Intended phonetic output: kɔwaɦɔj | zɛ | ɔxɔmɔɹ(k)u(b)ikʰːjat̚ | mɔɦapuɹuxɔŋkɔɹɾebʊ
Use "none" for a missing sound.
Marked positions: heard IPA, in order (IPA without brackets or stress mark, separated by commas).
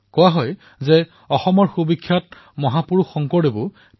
x, b